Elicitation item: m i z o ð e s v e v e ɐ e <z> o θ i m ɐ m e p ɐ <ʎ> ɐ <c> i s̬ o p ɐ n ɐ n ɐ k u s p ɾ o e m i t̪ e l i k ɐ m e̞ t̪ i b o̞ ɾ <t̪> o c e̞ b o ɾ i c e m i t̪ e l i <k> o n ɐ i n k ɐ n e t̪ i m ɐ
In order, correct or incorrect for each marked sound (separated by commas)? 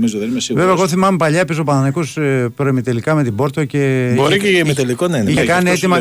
incorrect, correct, incorrect, correct, correct